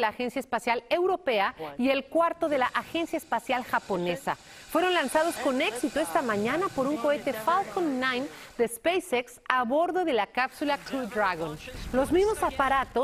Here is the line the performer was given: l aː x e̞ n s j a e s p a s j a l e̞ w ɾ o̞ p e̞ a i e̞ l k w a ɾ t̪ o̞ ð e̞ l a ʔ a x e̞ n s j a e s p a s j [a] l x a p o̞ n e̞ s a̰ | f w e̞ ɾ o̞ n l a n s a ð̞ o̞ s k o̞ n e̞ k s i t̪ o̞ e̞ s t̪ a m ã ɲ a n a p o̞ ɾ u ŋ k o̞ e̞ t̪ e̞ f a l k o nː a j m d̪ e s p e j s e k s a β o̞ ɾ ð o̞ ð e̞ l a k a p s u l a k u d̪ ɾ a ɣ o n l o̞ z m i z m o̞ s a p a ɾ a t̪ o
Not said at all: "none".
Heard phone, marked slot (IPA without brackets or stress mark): a